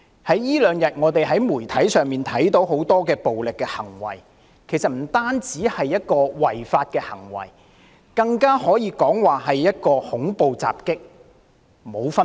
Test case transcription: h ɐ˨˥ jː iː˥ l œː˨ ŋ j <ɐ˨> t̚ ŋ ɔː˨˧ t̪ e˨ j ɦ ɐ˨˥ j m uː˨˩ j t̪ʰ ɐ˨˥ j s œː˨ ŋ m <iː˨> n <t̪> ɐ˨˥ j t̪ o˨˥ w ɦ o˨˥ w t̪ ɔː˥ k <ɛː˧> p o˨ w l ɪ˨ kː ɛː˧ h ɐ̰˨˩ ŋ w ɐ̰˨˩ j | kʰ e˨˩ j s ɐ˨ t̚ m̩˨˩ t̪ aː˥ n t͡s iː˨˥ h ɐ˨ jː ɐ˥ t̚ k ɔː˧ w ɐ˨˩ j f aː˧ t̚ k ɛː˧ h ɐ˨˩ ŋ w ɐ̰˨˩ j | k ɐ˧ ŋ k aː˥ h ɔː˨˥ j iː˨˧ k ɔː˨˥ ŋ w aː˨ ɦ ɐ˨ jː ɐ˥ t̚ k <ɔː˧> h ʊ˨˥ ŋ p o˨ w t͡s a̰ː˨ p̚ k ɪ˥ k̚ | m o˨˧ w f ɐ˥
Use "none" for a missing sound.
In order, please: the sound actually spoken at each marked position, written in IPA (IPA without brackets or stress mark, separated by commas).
ɐ˨, iː˨, t̪ʰ, ɛː˧, ɔː˧